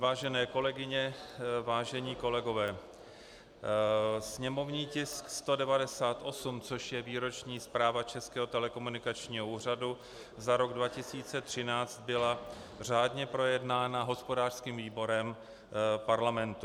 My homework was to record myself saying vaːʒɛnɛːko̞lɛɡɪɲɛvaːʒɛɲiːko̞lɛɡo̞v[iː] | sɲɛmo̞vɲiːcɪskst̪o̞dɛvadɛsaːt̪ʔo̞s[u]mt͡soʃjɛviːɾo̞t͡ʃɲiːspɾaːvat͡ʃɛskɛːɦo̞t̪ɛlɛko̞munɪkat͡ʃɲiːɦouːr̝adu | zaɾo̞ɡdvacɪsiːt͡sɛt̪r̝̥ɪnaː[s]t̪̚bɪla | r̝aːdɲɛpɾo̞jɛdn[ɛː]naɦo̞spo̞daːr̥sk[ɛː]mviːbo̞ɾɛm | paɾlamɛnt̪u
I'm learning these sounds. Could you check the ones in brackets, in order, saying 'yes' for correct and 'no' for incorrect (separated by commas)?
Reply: no, yes, no, no, no